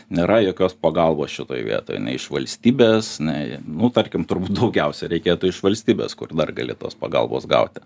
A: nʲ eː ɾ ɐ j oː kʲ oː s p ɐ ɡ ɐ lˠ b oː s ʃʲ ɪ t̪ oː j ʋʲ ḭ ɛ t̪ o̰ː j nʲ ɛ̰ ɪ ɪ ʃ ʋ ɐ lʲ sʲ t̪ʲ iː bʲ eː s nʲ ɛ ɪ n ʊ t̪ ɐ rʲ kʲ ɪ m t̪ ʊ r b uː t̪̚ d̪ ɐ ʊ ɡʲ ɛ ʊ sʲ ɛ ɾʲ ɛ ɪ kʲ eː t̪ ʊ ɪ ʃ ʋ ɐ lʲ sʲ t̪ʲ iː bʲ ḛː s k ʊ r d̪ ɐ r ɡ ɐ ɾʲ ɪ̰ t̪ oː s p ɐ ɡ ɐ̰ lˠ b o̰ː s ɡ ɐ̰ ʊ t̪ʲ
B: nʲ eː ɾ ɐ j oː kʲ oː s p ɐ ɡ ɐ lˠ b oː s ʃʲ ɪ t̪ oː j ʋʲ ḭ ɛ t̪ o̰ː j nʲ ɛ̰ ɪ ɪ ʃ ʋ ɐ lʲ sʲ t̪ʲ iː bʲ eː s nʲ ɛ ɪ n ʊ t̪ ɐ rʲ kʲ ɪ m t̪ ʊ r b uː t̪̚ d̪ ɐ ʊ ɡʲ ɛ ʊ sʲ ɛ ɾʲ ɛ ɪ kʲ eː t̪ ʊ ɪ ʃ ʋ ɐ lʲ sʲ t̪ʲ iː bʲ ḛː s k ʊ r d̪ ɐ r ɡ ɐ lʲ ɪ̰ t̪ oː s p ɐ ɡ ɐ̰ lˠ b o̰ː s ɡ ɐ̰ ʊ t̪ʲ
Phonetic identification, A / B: B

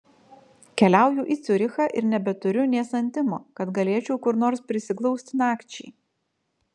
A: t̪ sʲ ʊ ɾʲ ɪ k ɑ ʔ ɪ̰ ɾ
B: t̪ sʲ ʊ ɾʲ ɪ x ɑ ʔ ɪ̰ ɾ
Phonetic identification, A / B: B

